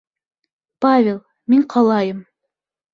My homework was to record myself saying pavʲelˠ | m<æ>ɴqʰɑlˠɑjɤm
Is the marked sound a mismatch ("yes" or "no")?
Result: yes